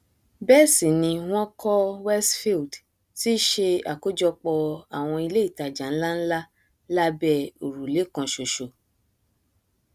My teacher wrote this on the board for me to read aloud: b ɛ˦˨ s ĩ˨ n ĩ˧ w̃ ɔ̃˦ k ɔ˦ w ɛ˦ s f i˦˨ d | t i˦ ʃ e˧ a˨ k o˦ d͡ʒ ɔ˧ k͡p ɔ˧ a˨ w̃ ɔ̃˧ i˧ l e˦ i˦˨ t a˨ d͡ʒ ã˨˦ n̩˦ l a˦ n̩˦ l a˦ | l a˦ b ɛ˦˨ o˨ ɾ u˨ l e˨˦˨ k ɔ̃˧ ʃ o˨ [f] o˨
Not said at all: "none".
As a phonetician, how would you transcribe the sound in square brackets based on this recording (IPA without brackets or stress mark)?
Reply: ʃ